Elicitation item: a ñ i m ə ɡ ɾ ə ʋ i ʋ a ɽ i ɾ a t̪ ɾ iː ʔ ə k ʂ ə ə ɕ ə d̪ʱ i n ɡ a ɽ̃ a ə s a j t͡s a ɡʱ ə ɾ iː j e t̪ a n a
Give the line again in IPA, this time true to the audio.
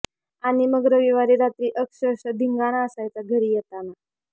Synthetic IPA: a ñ i m ə ɡ ɾ ə ʋ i ʋ a ɾ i ɾ a t̪ ɾ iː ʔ ə k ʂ ə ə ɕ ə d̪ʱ i ŋ ɡ a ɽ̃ a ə s a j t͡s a ɡʱ ə ɾ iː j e t̪ a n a